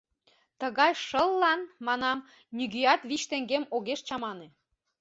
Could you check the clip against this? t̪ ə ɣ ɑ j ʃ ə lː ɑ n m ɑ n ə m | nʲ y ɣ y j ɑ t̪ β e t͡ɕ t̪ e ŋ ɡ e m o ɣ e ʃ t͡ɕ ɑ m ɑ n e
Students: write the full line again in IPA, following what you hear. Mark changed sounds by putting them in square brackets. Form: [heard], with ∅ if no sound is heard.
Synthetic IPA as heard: t̪ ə ɣ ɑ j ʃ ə lː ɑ n m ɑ n [ɑ] m | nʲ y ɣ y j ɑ t̪ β [i] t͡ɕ t̪ e ŋ ɡ e m o ɣ e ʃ t͡ɕ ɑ m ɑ n e